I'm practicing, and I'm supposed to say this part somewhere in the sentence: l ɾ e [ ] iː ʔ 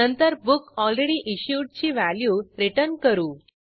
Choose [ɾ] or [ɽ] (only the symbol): ɽ